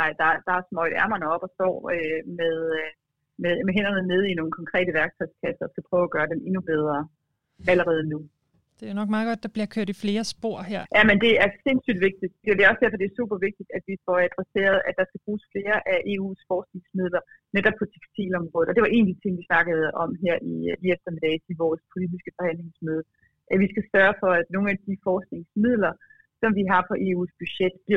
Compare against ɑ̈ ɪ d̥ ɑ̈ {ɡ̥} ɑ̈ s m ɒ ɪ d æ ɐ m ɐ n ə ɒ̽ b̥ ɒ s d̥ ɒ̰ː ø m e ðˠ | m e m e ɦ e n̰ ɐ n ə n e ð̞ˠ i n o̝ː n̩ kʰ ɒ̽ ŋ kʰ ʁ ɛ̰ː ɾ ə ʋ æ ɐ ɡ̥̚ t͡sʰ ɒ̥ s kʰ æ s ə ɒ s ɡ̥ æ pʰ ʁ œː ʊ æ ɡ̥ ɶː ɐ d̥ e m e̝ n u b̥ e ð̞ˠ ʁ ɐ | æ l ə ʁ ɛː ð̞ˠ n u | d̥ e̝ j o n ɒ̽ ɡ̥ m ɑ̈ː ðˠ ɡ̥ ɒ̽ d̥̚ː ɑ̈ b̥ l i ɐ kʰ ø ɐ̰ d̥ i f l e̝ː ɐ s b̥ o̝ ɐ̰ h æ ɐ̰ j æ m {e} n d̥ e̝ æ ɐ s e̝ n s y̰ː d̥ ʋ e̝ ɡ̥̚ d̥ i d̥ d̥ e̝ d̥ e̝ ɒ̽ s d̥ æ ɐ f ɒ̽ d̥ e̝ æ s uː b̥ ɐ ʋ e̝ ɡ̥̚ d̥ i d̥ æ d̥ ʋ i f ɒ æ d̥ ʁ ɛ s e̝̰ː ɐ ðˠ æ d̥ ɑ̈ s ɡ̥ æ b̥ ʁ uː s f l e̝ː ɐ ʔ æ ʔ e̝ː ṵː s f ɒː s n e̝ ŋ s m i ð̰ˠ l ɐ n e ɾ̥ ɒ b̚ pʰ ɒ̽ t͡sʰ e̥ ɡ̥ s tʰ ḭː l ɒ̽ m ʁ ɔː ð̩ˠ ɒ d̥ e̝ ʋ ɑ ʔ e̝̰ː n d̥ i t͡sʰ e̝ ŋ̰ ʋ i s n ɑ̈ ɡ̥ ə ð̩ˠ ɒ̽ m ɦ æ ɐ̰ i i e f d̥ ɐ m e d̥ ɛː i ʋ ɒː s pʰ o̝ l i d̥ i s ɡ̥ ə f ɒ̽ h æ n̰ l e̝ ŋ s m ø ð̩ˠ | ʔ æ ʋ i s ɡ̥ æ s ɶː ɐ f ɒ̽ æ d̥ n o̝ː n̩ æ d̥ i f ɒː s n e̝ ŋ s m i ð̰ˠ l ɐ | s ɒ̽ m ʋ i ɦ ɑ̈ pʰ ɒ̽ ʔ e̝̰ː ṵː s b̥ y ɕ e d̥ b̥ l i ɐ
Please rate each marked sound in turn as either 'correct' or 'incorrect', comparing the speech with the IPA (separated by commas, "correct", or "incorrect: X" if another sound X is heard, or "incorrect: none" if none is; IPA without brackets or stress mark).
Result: incorrect: d̥, correct